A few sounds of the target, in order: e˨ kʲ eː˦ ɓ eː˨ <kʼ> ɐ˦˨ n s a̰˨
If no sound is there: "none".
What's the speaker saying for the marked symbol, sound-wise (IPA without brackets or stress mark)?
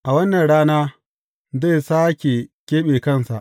k